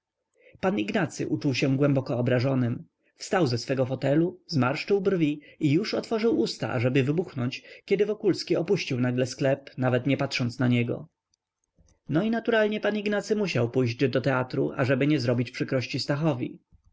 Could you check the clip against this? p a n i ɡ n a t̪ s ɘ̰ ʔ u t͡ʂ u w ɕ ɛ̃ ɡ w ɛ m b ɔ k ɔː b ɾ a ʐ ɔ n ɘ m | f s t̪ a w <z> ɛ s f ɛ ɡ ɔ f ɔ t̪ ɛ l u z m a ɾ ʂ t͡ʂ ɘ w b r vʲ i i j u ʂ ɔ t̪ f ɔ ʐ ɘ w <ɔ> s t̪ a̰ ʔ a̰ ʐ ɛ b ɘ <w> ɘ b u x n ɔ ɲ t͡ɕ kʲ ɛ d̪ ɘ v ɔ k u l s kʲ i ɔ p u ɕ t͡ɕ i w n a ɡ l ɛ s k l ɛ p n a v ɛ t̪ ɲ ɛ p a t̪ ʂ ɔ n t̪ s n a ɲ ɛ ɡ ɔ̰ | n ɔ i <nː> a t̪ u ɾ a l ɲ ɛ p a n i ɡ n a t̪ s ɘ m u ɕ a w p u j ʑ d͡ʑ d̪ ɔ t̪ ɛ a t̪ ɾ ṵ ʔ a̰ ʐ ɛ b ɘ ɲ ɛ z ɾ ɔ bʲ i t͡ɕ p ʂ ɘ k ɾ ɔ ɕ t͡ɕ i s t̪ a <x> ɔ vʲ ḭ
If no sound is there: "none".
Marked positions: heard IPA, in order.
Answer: z, u, v, n, x

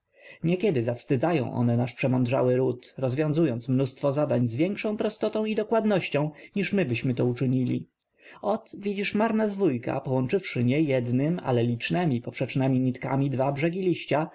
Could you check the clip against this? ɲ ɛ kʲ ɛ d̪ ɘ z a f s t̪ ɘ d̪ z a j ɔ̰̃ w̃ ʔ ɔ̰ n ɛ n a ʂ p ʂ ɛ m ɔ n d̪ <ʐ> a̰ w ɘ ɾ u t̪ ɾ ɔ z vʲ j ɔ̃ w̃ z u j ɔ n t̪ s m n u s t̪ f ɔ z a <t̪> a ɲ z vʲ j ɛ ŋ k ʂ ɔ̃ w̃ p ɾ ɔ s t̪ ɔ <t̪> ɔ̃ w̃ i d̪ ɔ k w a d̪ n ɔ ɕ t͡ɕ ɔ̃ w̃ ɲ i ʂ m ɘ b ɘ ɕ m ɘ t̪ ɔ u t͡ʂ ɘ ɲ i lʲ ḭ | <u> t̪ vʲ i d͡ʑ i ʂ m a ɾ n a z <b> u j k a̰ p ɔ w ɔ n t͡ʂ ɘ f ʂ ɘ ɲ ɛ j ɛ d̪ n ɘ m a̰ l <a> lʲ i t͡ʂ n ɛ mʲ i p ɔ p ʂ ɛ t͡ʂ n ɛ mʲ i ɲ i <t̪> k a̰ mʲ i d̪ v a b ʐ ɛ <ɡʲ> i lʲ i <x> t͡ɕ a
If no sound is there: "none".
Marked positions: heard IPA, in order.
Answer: ʐ, d̪, t̪, ɔ, v, ɛ, t̪, ɡʲ, ɕ

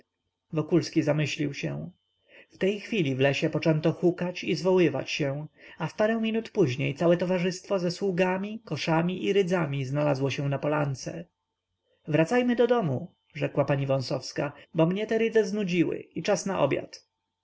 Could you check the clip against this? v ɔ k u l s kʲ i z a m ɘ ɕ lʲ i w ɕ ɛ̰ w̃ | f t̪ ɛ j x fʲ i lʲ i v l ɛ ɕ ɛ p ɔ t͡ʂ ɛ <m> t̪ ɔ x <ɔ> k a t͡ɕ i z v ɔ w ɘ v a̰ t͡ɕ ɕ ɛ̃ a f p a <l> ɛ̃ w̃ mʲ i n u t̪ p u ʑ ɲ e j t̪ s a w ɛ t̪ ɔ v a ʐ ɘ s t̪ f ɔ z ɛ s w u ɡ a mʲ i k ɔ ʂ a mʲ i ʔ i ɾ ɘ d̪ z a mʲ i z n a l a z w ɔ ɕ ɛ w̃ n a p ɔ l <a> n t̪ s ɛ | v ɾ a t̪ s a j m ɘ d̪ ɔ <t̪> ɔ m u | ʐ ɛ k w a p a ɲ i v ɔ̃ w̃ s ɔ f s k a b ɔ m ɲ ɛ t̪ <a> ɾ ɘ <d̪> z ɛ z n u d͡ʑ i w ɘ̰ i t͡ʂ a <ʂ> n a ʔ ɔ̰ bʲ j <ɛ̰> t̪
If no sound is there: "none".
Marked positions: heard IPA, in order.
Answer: n, u, ɾ, a, d̪, ɛ, d̪, s, a̰

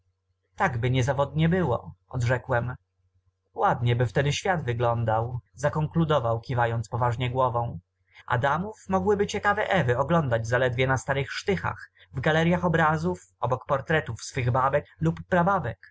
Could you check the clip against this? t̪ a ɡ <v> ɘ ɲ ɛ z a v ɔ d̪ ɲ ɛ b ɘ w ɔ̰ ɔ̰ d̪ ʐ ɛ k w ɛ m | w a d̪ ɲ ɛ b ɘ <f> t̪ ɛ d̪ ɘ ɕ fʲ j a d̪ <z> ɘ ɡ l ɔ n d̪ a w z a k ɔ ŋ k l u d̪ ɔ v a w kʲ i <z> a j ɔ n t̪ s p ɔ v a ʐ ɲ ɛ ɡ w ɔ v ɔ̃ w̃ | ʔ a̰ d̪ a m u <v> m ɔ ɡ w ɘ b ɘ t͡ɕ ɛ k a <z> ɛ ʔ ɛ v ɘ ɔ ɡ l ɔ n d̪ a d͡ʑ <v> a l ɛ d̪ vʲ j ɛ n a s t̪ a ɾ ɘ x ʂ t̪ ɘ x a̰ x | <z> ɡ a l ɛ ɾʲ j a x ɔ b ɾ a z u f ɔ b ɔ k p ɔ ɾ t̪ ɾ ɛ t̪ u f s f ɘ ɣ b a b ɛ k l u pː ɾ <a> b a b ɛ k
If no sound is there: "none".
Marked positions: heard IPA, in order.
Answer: b, f, v, v, f, v, z, v, a

